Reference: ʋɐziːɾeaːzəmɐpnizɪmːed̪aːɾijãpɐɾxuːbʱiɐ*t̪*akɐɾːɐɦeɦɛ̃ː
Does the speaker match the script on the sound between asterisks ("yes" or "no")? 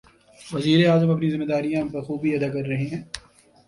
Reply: no